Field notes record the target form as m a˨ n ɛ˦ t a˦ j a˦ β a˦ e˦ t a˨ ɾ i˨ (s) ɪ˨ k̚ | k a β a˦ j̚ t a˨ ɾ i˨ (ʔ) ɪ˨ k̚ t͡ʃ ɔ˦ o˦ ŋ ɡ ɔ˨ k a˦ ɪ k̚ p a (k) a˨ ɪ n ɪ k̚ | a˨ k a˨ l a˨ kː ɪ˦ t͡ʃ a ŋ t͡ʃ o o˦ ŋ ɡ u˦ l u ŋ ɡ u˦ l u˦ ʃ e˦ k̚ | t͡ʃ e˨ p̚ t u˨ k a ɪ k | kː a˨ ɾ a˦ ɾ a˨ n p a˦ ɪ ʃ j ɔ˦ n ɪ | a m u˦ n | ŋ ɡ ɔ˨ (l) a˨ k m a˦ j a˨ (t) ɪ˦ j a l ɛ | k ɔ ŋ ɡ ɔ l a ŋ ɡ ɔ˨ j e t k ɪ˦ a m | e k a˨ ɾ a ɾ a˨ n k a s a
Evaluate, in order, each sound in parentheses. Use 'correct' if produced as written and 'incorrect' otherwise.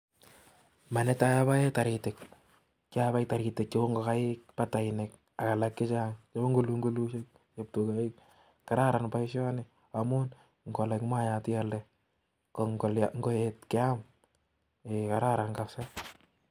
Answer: incorrect, incorrect, incorrect, correct, correct

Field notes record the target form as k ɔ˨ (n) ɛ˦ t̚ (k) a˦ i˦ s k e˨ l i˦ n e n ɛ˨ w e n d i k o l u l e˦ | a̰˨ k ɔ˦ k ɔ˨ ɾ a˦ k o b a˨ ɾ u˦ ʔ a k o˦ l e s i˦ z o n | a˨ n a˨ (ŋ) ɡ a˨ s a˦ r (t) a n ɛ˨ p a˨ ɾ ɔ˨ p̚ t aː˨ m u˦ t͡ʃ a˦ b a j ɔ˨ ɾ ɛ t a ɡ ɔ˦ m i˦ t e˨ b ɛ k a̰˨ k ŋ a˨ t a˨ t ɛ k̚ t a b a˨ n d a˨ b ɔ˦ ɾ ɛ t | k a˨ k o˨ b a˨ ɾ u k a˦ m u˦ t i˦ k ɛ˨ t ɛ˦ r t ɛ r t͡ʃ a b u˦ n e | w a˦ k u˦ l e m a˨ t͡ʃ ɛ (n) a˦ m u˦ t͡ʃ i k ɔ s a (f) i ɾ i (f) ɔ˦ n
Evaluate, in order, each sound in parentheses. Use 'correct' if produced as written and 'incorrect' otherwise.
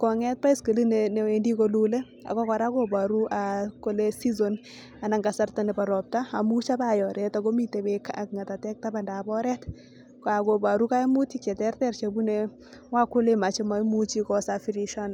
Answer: incorrect, incorrect, correct, correct, incorrect, correct, incorrect

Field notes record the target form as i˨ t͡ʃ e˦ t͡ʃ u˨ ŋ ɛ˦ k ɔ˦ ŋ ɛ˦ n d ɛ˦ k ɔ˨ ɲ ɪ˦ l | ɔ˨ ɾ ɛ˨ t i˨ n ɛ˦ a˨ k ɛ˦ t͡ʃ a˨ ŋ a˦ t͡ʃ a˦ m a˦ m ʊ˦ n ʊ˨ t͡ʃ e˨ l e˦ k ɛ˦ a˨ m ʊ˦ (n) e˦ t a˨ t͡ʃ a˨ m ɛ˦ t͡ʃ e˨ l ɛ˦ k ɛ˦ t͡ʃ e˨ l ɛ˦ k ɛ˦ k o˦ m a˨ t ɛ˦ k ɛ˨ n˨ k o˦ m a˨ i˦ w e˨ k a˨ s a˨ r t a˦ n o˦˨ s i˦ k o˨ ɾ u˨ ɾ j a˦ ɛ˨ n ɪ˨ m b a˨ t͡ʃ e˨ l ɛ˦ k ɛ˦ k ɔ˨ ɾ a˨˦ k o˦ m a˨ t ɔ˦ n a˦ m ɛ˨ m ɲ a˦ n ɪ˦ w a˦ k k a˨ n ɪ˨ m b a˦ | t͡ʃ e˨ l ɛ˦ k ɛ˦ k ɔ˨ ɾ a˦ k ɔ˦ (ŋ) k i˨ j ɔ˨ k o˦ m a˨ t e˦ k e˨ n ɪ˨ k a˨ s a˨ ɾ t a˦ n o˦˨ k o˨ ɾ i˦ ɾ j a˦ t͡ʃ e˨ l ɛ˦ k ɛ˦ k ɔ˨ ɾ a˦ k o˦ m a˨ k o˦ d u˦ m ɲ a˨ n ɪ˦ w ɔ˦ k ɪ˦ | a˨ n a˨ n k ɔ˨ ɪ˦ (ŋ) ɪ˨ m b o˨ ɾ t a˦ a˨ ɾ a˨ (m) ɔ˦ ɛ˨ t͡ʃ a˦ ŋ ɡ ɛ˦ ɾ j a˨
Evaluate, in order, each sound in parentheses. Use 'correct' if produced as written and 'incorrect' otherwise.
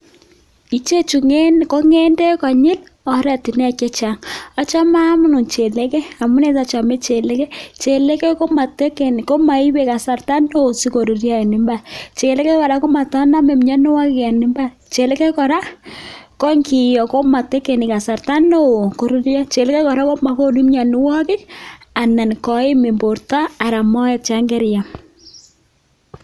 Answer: correct, correct, incorrect, correct

